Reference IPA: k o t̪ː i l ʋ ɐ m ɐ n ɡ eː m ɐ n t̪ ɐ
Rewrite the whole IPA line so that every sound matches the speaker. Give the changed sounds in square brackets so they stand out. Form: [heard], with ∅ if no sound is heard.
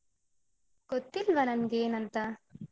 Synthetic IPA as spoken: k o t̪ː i l ʋ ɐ [n] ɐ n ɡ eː [n] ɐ n t̪ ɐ